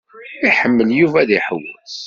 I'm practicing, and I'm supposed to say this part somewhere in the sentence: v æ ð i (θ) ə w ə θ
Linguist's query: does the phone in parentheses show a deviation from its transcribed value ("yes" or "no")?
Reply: yes